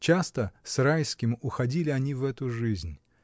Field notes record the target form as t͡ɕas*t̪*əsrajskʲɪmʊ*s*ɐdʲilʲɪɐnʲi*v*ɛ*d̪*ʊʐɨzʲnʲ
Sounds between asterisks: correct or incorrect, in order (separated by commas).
correct, incorrect, correct, incorrect